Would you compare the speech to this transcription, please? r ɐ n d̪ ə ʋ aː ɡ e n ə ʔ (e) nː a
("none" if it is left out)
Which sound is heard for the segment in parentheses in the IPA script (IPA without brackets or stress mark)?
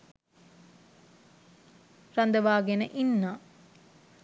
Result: i